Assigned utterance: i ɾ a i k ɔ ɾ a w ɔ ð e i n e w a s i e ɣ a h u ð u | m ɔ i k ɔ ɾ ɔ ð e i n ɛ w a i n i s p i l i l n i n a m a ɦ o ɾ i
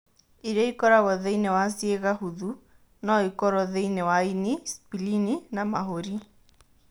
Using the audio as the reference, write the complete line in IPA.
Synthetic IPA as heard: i ɾ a i k ɔ ɾ a ɣ ɔ ð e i n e w a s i e ɣ a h u ð u | n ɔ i k ɔ ɾ ɔ ð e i n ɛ w a i n i s p i l i n i n a m a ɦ o ɾ i